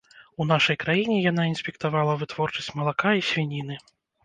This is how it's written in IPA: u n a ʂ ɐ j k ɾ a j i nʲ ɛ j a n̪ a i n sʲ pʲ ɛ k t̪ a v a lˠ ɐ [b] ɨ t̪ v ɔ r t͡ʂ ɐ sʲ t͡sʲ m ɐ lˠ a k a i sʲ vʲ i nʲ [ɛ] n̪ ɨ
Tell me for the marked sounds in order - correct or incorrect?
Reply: incorrect: v, incorrect: i

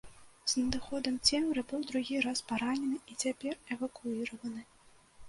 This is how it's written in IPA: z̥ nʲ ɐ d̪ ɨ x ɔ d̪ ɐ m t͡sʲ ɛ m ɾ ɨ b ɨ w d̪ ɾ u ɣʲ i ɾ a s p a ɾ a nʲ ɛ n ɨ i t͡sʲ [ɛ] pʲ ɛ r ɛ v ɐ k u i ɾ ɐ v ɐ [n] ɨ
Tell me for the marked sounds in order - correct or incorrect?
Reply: incorrect: a, correct

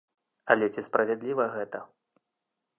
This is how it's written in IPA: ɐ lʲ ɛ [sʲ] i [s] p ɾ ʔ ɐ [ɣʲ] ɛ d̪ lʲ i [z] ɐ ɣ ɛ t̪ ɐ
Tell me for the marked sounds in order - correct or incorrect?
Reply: incorrect: t͡sʲ, correct, incorrect: vʲ, incorrect: v

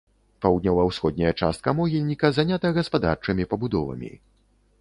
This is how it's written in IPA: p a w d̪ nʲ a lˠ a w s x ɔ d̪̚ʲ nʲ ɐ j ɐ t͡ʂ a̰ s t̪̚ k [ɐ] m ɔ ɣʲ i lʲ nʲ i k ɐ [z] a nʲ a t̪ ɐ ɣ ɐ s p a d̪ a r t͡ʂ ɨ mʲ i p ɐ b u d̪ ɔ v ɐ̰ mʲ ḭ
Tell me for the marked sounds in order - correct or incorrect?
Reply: correct, correct

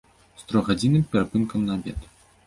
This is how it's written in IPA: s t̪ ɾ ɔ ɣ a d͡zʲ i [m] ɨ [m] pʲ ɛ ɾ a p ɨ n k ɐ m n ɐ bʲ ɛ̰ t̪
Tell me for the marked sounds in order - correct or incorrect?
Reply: incorrect: n, correct

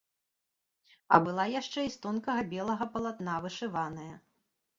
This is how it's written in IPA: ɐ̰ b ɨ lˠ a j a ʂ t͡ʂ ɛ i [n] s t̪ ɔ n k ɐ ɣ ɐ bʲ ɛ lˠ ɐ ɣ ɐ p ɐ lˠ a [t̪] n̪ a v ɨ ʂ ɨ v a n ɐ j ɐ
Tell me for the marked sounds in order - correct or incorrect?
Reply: incorrect: none, correct

